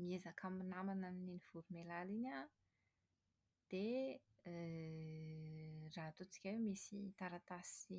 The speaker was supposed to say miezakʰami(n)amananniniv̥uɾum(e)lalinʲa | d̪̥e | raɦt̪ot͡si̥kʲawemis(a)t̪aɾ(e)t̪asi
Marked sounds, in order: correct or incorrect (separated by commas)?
correct, correct, incorrect, incorrect